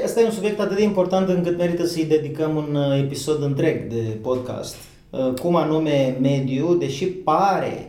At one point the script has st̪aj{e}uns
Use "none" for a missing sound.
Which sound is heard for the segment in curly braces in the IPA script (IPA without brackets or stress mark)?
e